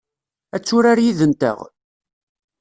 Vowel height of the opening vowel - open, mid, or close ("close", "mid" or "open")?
open